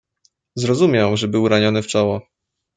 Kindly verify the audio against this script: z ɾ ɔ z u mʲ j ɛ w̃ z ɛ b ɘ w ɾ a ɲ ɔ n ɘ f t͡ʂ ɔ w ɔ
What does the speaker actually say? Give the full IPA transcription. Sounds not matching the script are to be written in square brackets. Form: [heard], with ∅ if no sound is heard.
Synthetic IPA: z ɾ ɔ z u mʲ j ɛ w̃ [ʐ] ɛ b ɘ w ɾ a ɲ ɔ n ɘ f t͡ʂ ɔ w ɔ